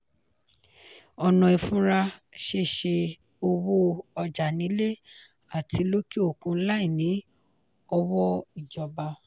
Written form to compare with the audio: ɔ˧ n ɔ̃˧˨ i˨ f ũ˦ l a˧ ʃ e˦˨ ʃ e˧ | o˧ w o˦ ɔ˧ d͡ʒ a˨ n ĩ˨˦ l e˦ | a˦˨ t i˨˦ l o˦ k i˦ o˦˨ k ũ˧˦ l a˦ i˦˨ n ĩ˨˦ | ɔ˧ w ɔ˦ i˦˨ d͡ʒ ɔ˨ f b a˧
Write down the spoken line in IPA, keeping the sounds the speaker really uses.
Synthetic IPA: ɔ˧ n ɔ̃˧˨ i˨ f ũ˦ ɾ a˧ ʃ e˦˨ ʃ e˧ | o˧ w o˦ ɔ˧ d͡ʒ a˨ n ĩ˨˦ l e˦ | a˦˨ t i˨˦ l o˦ k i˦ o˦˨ k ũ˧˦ l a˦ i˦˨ n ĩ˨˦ | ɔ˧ w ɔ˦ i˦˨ d͡ʒ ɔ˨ b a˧